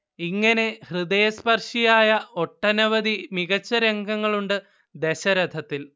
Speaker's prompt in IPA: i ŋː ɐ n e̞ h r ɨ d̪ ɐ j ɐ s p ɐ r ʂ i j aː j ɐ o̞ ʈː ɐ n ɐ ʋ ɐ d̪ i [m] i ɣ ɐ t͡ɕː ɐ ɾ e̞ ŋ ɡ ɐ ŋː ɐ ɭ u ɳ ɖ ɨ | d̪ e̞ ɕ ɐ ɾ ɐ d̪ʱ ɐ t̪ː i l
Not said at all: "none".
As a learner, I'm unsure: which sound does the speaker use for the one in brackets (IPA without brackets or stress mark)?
m